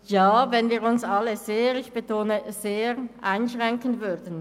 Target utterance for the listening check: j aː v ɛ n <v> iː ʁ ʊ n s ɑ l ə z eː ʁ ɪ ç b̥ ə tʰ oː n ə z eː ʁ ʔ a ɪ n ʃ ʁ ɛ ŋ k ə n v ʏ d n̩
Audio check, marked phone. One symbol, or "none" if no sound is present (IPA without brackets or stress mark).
v